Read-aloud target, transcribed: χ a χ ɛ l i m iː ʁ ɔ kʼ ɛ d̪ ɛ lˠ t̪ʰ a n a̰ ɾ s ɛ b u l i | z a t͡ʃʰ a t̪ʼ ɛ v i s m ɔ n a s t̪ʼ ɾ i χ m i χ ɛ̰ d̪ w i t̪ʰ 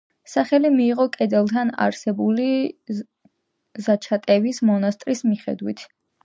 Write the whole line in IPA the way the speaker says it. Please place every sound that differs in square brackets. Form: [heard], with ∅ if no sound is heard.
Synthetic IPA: [s] a χ ɛ l i m iː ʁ ɔ kʼ ɛ d̪ ɛ lˠ t̪ʰ a n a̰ ɾ s ɛ b u l i | z a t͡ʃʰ a t̪ʼ ɛ v i s m ɔ n a s t̪ʼ ɾ i [s] m i χ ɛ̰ d̪ w i t̪ʰ